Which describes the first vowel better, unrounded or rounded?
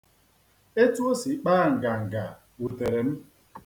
unrounded